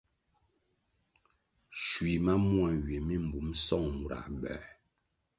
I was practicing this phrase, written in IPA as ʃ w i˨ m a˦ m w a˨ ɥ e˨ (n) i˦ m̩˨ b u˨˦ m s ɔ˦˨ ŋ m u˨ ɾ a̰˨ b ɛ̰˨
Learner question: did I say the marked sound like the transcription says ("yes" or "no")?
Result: no